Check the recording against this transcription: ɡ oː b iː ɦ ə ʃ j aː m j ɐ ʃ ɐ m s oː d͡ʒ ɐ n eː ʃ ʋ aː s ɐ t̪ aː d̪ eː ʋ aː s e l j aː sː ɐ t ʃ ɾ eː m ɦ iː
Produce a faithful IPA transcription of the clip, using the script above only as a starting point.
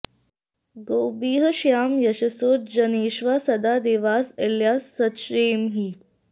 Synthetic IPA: ɡ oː b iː ɦ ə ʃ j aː m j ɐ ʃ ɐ s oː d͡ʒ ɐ n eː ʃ ʋ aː s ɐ d̪ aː d̪ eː ʋ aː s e l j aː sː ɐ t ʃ ɾ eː m ɦ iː